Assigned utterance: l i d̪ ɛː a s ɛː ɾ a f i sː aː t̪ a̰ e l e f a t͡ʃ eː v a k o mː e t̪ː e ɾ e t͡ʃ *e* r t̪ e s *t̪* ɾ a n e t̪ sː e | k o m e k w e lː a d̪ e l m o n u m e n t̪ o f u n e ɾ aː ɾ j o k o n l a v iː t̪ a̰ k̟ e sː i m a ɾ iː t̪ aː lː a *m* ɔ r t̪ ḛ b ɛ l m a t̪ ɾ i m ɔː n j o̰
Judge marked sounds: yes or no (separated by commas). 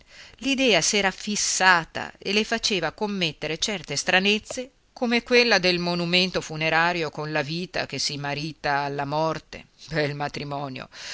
no, yes, yes